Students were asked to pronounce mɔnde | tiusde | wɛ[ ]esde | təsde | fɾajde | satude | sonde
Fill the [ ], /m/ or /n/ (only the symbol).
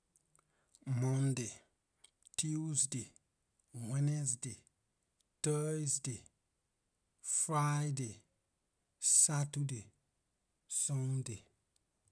n